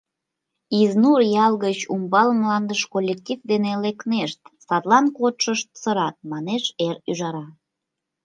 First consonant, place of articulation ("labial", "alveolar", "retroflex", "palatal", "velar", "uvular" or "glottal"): alveolar